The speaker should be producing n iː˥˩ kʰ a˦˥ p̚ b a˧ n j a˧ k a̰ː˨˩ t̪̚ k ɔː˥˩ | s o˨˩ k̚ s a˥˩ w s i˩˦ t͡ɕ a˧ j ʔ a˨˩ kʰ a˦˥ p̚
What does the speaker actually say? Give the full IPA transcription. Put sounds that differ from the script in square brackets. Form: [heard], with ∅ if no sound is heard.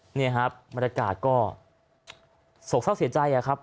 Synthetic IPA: n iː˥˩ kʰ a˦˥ p̚ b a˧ n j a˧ k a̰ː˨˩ t̪̚ k ɔː˥˩ | s o˨˩ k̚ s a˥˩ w s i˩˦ t͡ɕ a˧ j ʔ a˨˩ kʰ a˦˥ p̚

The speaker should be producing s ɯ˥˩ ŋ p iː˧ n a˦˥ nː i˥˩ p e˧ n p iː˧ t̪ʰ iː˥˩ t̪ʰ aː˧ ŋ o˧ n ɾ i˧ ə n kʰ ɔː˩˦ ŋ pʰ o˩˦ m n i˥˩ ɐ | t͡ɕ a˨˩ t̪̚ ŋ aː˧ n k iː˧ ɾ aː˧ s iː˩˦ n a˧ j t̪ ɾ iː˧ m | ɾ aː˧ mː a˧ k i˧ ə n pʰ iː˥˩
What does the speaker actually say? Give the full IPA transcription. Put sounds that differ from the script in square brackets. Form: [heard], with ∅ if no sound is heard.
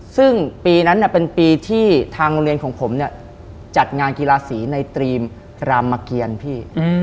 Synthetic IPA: s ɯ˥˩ ŋ p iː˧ n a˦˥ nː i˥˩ p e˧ n p iː˧ t̪ʰ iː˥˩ t̪ʰ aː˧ ŋ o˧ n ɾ i˧ ə n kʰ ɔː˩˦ ŋ pʰ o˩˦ m n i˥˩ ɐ | t͡ɕ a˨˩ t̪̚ ŋ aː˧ n k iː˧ [l] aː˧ s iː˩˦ n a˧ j t̪ ɾ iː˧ m | ɾ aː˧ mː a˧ k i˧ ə n pʰ iː˥˩

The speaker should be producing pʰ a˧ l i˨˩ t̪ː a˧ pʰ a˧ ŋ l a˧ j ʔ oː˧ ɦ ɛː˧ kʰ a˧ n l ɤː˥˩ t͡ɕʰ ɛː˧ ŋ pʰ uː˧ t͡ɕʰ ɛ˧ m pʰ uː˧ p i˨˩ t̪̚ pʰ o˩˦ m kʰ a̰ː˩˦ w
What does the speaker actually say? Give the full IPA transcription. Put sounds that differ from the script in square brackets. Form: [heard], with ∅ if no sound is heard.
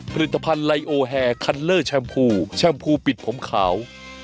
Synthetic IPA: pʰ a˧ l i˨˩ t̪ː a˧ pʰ a˧ [n] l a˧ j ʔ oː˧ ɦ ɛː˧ kʰ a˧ n l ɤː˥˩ t͡ɕʰ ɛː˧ [m] pʰ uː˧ t͡ɕʰ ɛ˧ m pʰ uː˧ p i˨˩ t̪̚ pʰ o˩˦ m kʰ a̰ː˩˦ w

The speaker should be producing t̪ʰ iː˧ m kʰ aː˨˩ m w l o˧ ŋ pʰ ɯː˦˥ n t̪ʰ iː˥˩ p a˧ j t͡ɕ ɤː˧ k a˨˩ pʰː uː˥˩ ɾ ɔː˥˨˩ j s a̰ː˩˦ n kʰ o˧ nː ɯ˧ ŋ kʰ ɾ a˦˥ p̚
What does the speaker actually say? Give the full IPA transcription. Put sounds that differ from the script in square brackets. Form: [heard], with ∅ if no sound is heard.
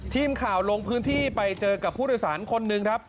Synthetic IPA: t̪ʰ iː˧ m kʰ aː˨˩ [∅] w l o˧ ŋ pʰ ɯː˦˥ n t̪ʰ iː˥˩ p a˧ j t͡ɕ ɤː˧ k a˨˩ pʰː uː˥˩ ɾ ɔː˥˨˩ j s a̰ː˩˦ n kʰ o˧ nː ɯ˧ ŋ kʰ ɾ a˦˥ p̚

